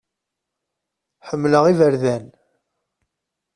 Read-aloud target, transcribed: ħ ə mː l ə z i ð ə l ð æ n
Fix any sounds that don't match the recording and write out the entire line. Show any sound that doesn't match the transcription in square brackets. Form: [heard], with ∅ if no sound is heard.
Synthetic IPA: ħ ə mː l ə [ʁ] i [v] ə [ɾ] ð æ n